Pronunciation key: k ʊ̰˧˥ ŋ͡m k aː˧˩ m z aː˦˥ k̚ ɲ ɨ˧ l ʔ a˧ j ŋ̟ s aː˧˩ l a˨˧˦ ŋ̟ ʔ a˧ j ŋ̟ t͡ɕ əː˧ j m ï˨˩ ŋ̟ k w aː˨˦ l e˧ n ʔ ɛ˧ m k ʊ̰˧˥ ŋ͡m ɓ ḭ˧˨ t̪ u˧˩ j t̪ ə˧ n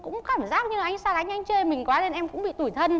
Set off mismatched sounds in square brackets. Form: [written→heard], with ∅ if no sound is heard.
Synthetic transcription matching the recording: k ʊ̰˧˥ ŋ͡m k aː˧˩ m z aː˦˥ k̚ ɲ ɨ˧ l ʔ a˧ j ŋ̟ s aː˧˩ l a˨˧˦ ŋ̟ ʔ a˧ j ŋ̟ t͡ɕ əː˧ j m ï˨˩ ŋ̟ k w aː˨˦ l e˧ n ʔ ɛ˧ m k ʊ̰˧˥ ŋ͡m ɓ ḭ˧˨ t̪ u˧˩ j [t̪→t̪ʰ] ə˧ n